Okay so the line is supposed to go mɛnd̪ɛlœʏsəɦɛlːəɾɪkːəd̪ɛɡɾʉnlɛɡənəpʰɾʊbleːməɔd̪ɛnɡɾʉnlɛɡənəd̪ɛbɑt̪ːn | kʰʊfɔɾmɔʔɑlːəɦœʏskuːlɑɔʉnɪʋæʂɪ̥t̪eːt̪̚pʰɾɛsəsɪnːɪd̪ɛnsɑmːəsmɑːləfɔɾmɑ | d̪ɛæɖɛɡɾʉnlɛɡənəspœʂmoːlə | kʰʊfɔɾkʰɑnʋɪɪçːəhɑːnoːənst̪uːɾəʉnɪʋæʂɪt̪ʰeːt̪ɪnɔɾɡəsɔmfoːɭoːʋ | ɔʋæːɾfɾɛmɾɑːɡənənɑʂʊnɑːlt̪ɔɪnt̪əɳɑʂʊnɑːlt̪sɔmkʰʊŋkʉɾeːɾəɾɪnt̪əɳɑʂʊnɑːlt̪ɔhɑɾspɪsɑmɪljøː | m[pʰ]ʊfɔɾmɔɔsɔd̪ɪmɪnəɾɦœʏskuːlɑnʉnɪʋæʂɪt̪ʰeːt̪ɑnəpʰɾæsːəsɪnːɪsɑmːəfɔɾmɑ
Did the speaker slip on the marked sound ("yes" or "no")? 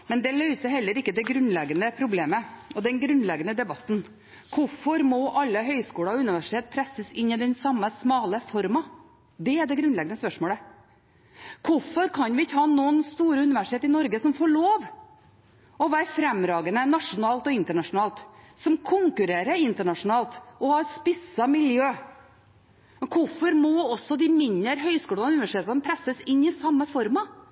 yes